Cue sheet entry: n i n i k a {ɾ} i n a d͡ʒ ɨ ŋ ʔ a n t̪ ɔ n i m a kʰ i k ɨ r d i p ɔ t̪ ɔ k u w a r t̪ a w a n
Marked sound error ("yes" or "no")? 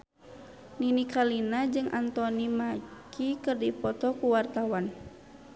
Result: yes